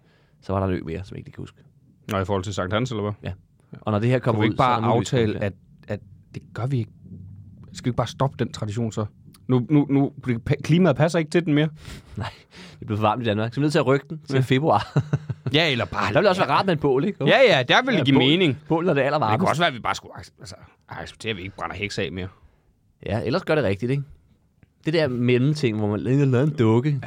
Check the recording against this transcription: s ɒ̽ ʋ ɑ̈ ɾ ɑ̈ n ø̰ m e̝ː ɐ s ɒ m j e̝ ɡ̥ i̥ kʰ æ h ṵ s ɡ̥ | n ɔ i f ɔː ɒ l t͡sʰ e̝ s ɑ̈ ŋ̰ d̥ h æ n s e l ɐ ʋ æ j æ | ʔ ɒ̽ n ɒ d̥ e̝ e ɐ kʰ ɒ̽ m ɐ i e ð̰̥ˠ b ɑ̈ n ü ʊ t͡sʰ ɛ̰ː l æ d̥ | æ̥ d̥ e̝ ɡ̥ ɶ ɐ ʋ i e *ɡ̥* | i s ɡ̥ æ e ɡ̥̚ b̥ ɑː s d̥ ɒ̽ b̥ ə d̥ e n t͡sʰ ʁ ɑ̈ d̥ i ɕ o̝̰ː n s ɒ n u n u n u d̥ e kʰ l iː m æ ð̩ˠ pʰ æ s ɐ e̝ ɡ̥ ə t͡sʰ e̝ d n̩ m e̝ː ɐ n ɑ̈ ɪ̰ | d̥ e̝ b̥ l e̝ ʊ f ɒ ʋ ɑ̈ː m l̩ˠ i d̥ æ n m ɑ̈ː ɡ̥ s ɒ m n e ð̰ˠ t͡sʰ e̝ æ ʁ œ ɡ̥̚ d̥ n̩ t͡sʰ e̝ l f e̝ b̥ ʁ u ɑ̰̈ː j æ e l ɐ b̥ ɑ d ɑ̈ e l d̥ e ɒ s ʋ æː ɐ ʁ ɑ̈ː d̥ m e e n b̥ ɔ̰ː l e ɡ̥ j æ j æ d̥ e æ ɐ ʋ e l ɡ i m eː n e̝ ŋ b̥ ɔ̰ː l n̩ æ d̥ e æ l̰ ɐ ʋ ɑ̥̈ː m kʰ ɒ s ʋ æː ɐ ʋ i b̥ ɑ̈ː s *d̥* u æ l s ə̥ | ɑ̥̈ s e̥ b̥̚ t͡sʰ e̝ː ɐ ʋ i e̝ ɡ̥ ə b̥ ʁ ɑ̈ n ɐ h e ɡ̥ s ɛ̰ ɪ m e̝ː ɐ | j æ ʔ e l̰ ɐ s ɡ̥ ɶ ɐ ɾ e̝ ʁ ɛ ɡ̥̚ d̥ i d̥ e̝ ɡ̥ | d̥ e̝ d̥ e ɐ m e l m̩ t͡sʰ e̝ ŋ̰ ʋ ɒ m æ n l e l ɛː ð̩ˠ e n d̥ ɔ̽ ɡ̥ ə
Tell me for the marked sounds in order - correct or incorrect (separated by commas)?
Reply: correct, incorrect